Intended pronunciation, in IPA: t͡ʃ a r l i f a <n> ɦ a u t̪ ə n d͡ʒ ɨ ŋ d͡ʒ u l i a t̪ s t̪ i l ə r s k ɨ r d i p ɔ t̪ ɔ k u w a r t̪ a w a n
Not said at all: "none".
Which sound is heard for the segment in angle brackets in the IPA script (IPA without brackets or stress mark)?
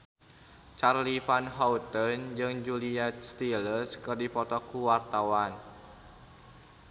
n